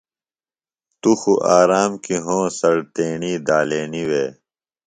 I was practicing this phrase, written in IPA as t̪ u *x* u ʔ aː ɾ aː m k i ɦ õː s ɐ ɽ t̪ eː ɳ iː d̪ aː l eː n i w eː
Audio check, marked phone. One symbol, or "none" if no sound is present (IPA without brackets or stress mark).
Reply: x